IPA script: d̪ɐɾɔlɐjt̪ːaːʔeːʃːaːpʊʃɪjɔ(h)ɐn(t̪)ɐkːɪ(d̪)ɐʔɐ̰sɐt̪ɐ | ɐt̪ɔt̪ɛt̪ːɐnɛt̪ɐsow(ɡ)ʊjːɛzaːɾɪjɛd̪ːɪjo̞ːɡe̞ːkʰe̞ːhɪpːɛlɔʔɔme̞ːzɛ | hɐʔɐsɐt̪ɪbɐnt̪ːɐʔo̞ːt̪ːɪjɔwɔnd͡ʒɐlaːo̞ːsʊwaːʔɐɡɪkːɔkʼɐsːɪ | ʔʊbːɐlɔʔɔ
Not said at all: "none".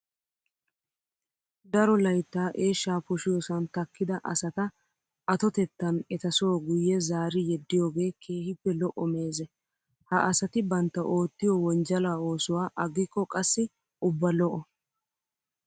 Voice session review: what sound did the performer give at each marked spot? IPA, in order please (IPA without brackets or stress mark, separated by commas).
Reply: s, t̪, d̪, ɡ